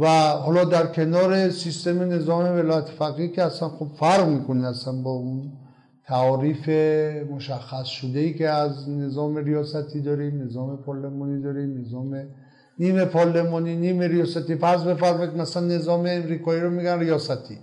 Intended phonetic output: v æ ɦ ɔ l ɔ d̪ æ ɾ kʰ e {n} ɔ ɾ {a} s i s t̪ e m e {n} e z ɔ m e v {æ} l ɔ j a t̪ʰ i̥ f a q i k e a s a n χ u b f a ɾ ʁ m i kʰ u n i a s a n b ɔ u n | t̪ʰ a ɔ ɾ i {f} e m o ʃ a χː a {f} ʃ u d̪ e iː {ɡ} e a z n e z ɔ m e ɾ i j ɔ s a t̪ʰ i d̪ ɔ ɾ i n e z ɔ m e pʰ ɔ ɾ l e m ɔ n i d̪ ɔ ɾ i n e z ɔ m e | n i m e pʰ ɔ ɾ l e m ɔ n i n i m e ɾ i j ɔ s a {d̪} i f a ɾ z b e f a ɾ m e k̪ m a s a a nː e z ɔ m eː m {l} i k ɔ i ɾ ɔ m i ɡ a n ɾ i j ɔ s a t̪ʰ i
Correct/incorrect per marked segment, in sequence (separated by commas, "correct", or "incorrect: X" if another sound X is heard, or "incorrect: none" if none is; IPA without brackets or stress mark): correct, incorrect: e, correct, incorrect: e, correct, incorrect: s, incorrect: k, incorrect: t̪, incorrect: ɾ